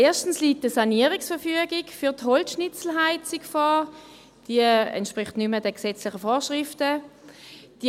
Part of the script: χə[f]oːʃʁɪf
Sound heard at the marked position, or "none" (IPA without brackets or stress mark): f